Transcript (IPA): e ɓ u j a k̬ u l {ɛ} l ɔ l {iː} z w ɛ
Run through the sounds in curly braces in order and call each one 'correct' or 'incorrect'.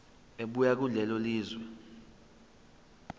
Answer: correct, correct

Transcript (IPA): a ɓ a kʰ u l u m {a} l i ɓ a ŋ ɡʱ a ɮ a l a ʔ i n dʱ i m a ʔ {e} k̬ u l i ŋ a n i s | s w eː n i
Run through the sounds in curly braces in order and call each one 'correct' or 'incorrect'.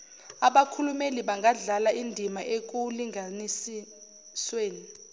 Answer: incorrect, correct

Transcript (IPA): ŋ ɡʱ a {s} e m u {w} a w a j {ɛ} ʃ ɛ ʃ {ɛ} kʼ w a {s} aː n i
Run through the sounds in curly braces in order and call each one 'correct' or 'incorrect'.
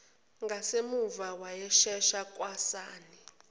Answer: correct, incorrect, correct, incorrect, correct

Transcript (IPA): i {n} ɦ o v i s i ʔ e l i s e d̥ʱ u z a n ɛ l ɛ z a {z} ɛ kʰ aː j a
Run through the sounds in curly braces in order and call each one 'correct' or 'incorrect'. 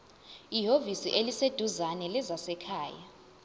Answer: incorrect, incorrect

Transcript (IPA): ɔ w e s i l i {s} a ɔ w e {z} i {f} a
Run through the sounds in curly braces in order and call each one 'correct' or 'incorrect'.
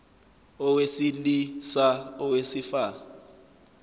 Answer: correct, incorrect, correct

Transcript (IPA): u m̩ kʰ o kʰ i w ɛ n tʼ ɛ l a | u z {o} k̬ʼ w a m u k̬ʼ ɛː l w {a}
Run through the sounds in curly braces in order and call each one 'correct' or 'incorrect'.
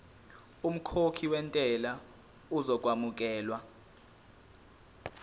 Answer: incorrect, correct

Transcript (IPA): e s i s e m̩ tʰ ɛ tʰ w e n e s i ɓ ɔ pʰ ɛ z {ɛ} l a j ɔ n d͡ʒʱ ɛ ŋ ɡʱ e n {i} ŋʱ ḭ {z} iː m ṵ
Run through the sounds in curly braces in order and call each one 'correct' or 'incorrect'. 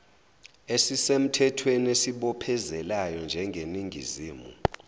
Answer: correct, correct, correct

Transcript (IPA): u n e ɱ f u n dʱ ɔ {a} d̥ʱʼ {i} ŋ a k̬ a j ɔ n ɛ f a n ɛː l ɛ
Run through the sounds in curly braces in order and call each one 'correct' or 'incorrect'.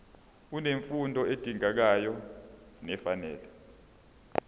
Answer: incorrect, correct

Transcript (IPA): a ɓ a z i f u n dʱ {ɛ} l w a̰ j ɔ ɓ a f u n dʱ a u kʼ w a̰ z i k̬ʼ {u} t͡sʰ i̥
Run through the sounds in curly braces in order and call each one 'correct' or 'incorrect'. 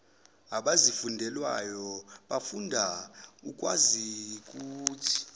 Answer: correct, incorrect

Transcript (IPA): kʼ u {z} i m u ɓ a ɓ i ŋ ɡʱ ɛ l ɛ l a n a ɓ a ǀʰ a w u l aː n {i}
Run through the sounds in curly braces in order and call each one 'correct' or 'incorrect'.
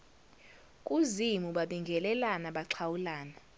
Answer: correct, incorrect

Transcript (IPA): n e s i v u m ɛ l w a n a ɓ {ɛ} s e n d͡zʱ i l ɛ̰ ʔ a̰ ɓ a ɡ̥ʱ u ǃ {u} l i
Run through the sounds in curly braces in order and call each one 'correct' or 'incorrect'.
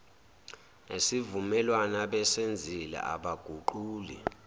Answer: correct, incorrect

